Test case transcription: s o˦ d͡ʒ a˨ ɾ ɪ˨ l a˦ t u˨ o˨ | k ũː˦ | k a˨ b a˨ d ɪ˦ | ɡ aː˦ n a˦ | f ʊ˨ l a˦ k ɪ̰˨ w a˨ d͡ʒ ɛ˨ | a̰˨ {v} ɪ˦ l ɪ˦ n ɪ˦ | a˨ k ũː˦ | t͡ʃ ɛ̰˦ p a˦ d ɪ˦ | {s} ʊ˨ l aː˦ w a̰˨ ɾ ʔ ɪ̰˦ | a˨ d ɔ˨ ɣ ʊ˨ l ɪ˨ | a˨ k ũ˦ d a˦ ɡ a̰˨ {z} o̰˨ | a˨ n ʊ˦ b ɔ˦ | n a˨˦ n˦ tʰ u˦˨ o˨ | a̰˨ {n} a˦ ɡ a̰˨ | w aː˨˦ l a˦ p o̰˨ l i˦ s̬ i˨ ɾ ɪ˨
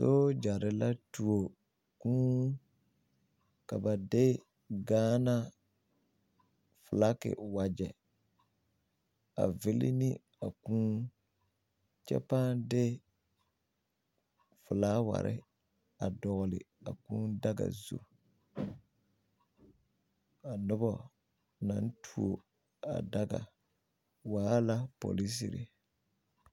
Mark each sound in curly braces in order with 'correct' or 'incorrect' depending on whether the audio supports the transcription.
correct, incorrect, correct, incorrect

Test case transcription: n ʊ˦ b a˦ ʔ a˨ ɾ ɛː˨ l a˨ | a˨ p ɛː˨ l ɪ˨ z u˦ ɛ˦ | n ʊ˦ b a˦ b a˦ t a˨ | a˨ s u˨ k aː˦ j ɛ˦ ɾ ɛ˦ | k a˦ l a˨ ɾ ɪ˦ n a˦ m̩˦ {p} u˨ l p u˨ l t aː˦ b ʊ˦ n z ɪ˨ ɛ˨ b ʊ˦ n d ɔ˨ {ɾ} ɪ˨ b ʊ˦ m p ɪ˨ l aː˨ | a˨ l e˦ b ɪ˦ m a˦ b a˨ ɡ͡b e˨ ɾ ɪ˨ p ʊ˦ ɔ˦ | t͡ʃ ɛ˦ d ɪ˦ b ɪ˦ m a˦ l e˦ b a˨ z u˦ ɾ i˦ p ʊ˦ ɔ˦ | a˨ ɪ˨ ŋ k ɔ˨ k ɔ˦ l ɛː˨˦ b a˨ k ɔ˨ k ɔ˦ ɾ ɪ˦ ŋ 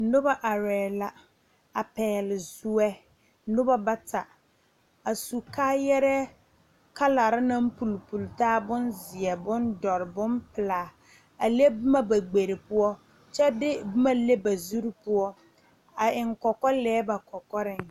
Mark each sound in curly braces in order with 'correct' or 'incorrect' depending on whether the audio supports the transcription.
correct, correct

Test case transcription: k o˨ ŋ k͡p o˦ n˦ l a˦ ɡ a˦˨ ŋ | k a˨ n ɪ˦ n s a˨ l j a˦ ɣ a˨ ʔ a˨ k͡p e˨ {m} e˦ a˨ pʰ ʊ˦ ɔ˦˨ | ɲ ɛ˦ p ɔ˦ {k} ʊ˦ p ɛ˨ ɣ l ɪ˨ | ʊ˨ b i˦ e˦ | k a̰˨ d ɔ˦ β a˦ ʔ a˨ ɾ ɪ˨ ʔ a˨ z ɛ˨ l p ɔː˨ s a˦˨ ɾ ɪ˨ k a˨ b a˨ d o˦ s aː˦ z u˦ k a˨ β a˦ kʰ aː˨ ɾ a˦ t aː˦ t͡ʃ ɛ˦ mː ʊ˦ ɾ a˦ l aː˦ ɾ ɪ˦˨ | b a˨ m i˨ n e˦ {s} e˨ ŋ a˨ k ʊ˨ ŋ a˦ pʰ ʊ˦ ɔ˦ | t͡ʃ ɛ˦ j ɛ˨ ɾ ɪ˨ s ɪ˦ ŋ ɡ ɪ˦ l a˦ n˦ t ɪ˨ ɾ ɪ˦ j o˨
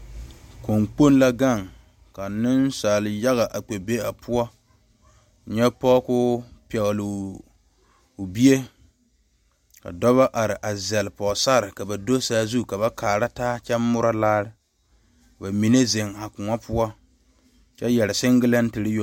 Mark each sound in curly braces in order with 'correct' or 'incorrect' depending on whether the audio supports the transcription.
incorrect, correct, incorrect

